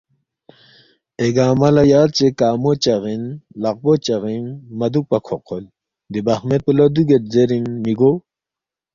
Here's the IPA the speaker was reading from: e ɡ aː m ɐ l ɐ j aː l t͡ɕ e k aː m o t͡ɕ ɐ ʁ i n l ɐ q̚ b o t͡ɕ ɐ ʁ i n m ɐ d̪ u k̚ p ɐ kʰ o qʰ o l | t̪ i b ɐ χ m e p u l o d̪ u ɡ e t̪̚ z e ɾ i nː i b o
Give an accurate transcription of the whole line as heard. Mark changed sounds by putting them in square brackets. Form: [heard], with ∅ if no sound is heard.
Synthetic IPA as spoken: e ɡ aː m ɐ l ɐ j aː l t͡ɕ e k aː m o t͡ɕ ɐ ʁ i n l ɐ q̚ b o t͡ɕ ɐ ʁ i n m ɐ d̪ u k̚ p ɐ kʰ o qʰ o l | [d̪] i b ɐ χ m e p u l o d̪ u ɡ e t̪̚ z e ɾ i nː i [ɡ] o